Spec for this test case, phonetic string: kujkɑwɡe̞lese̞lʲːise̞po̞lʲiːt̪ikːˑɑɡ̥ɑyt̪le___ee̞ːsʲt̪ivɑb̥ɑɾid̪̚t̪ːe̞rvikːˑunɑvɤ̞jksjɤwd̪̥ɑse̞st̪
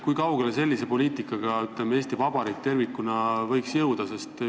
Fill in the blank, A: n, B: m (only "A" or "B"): B